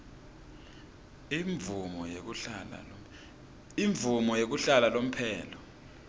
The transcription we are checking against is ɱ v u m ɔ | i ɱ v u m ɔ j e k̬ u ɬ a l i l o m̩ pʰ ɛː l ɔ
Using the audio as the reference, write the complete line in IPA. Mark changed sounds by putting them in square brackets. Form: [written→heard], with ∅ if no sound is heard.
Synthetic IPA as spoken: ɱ v u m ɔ | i ɱ v u m ɔ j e k̬ u ɬ a l [i→a] l o m̩ pʰ ɛː l ɔ